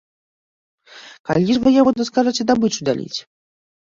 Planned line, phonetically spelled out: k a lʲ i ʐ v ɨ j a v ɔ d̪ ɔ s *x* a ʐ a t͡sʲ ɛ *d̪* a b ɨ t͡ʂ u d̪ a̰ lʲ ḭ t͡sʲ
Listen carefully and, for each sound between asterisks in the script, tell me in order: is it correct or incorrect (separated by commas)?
incorrect, correct